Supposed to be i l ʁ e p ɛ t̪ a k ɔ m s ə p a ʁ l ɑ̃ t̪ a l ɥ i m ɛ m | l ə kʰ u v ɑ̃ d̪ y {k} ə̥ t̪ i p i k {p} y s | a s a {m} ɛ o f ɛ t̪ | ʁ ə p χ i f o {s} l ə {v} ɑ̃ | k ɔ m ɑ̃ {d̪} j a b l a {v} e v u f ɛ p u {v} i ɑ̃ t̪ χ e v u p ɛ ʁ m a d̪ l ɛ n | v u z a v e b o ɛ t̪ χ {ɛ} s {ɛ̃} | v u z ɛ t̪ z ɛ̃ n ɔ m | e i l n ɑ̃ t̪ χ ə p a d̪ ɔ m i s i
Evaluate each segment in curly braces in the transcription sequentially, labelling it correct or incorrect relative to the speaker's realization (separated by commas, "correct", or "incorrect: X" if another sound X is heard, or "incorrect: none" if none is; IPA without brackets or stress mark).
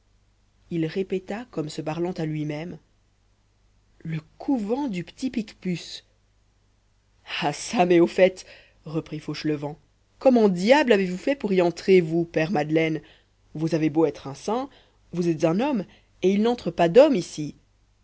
incorrect: p, correct, correct, incorrect: ʃ, correct, correct, correct, incorrect: ʁ, incorrect: ɛ̃, correct